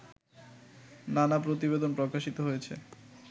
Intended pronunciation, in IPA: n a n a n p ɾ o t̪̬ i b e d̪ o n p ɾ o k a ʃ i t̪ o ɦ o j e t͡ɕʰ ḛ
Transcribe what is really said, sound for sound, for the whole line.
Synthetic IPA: n a n a p ɾ o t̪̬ i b e d̪ o n p ɾ o k a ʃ i t̪ o ɦ o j e t͡ɕʰ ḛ

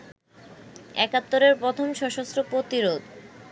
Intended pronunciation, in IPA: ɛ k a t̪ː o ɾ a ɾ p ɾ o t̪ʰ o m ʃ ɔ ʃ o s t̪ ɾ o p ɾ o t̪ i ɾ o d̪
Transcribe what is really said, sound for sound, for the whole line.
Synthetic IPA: ɛ k a t̪ː o ɾ e ɾ p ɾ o t̪ʰ o m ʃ ɔ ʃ o s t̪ ɾ o p ɾ o t̪ i ɾ o d̪

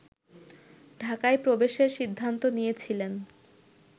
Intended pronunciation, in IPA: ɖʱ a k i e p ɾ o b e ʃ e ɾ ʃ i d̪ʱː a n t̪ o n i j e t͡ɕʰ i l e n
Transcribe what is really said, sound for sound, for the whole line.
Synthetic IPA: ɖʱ a k a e p ɾ o b e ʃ e ɾ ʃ i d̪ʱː a n t̪ o n i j e t͡ɕʰ i l e n

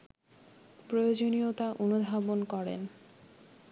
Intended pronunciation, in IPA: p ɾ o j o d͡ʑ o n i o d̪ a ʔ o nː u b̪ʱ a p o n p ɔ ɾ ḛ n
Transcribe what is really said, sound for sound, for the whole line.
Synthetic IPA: p ɾ o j o d͡ʑ o n i o t̪ a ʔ o n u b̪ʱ a b o n k ɔ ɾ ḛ n

